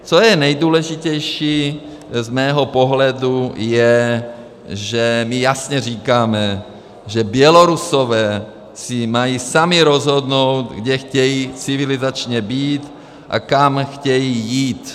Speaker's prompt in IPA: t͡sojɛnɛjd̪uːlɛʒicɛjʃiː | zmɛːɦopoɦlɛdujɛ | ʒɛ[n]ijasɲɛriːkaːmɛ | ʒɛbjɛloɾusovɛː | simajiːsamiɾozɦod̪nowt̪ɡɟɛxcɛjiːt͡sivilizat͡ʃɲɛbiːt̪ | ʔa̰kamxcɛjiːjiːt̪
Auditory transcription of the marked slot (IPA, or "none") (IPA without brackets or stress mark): m